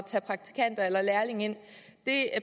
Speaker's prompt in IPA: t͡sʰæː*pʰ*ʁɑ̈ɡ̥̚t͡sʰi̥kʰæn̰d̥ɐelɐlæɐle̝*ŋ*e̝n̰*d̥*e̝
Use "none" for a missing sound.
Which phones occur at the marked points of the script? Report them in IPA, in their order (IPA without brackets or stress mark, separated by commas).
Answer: pʰ, ŋ, d̥